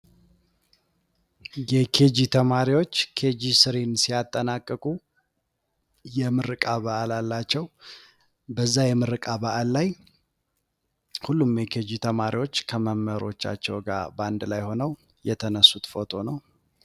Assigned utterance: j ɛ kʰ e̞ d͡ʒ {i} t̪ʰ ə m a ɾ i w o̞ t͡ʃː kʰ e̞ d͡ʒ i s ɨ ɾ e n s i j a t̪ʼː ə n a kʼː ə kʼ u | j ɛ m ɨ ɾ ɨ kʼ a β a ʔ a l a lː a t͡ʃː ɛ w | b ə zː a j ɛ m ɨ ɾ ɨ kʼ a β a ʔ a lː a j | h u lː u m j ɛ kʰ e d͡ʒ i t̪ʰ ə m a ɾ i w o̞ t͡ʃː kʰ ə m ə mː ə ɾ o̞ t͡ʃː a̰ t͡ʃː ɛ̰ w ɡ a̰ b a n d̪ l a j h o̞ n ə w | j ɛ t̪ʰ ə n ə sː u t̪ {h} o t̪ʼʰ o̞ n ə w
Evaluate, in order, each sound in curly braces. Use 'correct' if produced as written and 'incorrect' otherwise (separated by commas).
correct, incorrect